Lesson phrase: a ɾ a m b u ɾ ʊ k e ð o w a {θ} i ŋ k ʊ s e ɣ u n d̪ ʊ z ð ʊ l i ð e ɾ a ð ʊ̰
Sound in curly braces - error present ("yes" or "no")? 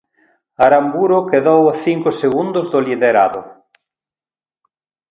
no